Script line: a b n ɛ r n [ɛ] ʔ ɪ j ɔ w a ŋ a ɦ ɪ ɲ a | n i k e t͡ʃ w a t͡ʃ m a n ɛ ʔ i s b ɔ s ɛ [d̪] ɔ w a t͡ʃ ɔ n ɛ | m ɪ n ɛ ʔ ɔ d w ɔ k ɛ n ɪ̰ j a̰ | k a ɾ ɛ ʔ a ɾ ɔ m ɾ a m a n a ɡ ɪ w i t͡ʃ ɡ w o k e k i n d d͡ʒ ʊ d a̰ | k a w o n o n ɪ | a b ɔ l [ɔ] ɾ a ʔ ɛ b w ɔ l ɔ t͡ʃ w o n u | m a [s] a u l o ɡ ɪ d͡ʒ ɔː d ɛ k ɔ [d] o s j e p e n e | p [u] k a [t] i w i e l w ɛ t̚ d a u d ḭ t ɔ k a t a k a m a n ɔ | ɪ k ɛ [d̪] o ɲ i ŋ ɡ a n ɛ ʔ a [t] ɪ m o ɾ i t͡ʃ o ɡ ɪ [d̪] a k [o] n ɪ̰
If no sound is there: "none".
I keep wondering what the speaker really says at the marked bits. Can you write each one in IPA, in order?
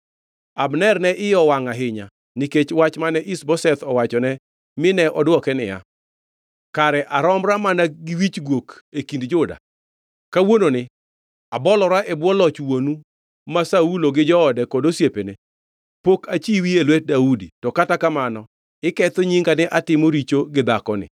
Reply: ɛ, t̪, ɔ, s, d, o, t͡ʃ, t̪, t, d̪, ɔ

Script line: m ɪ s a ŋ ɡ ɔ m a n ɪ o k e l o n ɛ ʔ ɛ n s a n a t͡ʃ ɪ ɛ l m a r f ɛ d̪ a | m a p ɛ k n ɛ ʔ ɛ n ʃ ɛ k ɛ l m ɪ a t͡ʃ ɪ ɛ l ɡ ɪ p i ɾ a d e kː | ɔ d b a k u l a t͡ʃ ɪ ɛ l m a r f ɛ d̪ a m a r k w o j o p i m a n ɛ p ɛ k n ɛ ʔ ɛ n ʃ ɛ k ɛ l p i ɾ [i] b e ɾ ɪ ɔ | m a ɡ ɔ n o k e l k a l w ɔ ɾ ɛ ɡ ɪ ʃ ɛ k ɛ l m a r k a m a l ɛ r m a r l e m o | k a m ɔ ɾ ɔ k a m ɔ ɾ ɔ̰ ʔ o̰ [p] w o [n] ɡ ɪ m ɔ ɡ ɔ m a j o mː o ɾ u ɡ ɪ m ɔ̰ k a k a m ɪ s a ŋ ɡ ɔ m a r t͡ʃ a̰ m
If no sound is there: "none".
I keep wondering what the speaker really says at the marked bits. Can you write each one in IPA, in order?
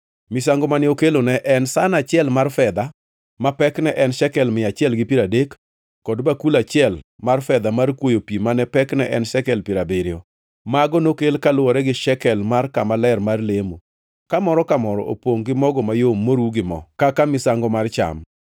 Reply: a, p, ŋ

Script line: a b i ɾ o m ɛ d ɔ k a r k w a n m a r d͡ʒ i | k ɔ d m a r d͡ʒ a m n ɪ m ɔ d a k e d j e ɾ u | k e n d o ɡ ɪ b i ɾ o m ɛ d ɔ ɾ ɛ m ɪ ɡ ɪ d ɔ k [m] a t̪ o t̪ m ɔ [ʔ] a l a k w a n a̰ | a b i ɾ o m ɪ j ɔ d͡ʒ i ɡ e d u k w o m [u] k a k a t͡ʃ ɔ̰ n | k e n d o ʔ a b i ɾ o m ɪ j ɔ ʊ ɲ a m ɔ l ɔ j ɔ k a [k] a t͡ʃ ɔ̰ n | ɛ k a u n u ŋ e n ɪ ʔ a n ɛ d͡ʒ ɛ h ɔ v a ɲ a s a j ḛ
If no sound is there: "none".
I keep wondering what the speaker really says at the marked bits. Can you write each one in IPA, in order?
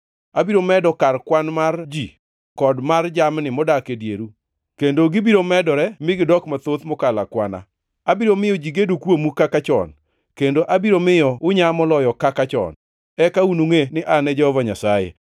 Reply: m, k, u, k

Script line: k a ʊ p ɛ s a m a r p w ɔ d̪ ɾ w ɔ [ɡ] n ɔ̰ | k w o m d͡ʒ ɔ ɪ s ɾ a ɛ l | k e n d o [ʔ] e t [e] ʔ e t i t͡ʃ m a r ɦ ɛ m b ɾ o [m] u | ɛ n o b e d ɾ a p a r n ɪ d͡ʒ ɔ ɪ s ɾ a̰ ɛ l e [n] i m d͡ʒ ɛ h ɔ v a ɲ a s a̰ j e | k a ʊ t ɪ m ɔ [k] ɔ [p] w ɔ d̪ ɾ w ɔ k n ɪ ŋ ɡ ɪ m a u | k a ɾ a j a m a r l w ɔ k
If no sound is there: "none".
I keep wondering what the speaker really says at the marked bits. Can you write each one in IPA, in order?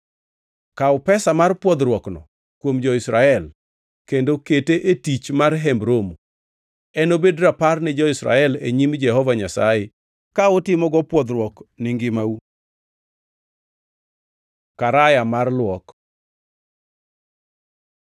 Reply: k, k, e, m, ɲ, ɡ, p

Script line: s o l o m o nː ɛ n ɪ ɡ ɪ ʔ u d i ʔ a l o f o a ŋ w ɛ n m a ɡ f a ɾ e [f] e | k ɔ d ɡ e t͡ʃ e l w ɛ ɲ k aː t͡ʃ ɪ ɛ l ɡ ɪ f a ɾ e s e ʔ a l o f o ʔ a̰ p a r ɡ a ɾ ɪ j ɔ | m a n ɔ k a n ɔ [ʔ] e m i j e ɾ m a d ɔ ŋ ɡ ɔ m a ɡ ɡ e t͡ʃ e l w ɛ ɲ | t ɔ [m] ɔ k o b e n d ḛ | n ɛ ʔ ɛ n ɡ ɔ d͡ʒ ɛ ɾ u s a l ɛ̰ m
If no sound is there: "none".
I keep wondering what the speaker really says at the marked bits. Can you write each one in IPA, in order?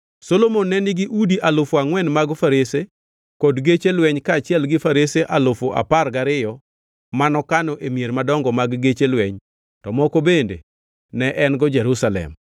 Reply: s, ʔ, m

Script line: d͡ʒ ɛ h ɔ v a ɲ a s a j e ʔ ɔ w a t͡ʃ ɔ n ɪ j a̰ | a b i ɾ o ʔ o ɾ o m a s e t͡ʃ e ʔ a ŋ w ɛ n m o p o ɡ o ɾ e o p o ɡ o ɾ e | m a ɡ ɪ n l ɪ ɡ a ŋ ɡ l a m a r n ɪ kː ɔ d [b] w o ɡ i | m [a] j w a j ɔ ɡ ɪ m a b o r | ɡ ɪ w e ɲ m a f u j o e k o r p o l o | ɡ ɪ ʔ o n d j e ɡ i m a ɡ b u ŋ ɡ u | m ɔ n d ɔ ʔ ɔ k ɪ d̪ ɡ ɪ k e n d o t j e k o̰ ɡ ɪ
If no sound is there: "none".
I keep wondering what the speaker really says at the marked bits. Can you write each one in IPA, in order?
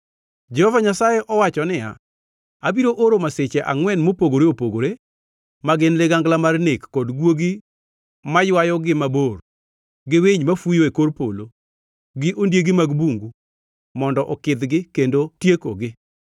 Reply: ɡ, a

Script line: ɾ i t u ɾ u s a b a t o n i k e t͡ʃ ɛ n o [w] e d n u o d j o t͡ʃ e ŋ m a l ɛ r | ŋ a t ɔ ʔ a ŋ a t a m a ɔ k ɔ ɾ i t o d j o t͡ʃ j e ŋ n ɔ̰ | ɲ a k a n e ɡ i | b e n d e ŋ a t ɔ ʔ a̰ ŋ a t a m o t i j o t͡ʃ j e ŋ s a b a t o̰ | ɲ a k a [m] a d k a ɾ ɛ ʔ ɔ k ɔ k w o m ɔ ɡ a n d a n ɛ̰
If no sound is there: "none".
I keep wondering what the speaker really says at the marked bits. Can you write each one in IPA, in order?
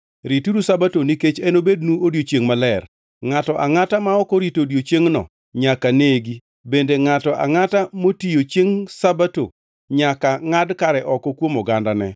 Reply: b, ŋ

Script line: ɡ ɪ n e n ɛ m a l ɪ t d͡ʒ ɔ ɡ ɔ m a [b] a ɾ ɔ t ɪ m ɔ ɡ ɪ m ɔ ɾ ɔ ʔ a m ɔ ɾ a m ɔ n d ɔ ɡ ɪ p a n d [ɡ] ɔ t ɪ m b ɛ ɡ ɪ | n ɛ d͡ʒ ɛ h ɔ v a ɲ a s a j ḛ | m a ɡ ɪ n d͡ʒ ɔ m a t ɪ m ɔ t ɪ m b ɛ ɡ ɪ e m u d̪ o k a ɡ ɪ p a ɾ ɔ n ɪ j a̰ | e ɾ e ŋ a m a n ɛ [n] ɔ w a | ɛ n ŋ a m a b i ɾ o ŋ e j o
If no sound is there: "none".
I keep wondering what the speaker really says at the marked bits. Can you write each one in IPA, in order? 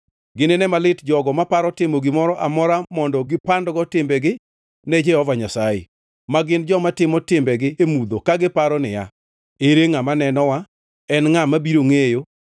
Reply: p, ɡ, n

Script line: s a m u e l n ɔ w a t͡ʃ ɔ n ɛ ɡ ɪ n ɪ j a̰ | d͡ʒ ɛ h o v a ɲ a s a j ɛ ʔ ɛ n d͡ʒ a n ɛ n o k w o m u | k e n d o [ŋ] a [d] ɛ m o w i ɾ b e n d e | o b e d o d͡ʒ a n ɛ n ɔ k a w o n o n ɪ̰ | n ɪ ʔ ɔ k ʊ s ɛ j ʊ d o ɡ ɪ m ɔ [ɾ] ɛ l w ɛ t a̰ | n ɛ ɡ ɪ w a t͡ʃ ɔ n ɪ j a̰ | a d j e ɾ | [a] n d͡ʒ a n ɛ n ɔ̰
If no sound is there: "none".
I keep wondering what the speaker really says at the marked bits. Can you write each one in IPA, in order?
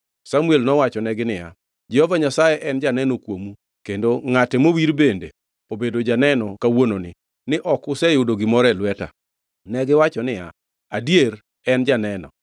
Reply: ŋ, t, ɾ, ɛ

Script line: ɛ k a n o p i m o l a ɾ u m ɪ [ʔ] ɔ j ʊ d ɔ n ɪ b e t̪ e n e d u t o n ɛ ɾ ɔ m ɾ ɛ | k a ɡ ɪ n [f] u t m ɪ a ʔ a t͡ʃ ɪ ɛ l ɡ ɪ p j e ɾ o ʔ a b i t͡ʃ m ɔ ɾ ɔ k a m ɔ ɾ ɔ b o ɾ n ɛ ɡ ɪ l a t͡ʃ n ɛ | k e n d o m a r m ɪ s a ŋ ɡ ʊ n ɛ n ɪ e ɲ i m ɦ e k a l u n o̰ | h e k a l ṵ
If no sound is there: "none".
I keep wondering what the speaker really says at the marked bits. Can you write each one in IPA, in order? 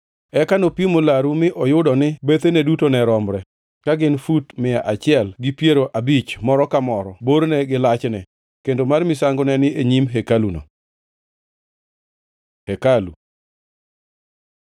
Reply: ʔ, f

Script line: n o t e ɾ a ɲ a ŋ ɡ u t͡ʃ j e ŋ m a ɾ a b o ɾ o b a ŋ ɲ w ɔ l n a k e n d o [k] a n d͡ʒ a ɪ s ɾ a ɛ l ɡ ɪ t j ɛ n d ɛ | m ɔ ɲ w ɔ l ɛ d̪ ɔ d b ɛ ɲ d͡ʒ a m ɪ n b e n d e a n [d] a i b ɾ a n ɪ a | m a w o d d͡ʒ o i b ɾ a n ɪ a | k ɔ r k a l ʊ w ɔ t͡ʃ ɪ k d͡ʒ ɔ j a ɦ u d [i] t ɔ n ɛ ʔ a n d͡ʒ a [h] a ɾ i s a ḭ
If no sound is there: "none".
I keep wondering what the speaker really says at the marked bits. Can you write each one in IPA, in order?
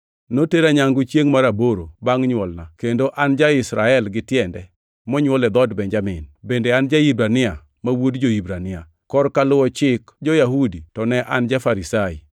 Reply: ʔ, d͡ʒ, i, f

